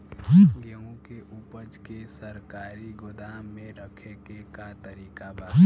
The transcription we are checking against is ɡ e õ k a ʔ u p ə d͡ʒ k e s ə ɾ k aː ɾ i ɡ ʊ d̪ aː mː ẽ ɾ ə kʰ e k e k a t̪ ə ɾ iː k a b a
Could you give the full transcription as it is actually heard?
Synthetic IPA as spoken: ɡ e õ k e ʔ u p ə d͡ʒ k e s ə ɾ k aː ɾ i ɡ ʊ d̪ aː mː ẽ ɾ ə kʰ e k e k a t̪ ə ɾ iː k a b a